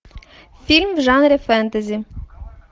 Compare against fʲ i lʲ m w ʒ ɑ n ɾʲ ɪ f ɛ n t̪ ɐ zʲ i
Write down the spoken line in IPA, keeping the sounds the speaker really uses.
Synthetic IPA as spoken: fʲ i lʲ m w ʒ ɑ n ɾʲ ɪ f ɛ n t̪ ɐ zʲ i